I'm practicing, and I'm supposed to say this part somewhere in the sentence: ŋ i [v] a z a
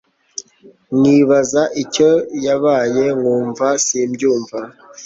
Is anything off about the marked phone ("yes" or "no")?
yes